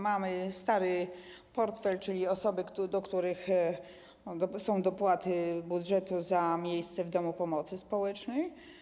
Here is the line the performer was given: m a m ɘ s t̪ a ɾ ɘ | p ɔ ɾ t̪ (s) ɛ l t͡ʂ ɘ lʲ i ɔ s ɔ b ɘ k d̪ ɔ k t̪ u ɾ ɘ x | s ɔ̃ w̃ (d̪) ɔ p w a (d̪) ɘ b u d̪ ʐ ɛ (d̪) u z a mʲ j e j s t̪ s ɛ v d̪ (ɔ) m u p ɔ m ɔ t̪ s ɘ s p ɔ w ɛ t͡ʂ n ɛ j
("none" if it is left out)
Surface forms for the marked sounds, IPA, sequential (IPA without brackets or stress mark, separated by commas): f, d̪, t̪, t̪, ɔ